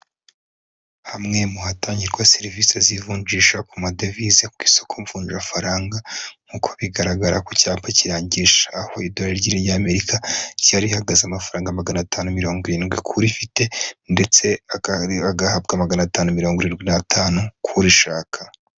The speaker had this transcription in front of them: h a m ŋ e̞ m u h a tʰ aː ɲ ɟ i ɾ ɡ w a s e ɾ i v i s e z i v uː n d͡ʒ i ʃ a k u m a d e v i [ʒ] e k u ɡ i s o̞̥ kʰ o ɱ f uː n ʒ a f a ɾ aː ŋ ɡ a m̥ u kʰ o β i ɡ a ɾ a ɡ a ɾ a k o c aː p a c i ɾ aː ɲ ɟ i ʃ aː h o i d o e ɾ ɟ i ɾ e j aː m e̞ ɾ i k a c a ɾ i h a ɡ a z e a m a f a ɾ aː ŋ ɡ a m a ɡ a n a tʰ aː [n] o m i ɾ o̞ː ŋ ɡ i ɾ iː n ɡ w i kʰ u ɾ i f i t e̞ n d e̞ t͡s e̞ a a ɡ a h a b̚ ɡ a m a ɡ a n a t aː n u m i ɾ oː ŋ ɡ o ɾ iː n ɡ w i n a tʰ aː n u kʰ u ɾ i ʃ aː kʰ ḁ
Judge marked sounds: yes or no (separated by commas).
no, yes